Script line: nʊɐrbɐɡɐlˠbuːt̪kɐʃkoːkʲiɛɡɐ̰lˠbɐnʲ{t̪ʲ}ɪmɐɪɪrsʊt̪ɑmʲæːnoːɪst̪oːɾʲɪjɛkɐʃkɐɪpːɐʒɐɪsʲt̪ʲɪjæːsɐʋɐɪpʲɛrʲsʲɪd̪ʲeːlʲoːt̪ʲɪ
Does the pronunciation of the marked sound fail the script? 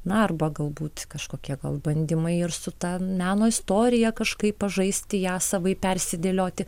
yes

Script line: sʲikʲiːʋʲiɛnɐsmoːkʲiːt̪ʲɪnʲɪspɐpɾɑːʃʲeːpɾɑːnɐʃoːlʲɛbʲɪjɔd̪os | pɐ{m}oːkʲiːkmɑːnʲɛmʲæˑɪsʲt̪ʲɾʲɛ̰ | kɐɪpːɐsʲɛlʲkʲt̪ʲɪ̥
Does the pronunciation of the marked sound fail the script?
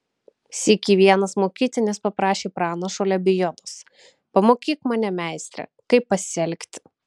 no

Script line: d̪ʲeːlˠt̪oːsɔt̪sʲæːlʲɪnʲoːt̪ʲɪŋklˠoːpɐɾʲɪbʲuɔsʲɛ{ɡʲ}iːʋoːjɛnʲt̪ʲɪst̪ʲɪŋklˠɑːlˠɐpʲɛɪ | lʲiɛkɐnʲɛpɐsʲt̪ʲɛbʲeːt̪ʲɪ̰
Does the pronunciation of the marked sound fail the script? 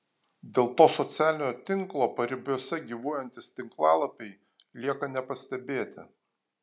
no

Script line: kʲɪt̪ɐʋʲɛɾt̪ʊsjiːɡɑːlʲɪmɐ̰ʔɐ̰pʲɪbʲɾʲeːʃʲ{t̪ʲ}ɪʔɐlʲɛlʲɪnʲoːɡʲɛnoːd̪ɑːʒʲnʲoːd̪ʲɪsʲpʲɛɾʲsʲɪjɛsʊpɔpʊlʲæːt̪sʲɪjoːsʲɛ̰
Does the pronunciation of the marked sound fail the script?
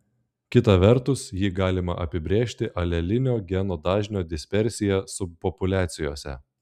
no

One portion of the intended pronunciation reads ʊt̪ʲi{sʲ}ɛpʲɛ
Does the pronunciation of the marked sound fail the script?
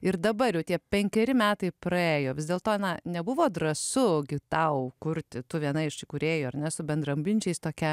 yes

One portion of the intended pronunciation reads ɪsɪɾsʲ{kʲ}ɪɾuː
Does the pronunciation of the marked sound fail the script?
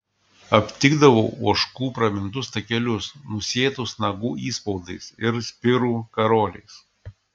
yes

